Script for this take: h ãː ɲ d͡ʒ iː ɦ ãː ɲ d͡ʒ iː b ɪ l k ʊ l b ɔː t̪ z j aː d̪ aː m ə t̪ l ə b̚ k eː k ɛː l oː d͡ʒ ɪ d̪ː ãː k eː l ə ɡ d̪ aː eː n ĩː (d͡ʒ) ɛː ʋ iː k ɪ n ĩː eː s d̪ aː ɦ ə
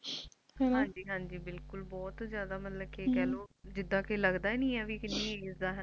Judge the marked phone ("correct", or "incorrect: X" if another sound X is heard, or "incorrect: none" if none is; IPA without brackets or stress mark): incorrect: none